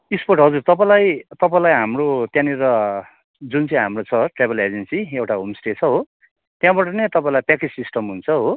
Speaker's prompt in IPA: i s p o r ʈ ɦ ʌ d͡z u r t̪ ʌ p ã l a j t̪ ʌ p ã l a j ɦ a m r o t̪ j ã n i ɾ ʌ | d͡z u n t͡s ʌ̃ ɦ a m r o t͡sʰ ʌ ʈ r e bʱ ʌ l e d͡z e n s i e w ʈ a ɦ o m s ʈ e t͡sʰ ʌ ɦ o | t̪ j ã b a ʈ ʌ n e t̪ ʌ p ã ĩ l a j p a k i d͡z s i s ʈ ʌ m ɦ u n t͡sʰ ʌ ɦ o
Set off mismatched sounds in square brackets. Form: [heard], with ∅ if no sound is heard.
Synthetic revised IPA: i s p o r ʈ ɦ ʌ d͡z u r t̪ ʌ p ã l a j t̪ ʌ p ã l a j ɦ a m r o t̪ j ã n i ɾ ʌ | d͡z u n t͡s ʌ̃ ɦ a m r o t͡sʰ ʌ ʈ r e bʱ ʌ l e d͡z e n s i e w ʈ a ɦ o m s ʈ e t͡sʰ ʌ ɦ o | t̪ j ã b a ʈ ʌ n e t̪ ʌ p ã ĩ l a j p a k i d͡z s i s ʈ ʌ m ɦ u n t͡sʰ ʌ ɦ o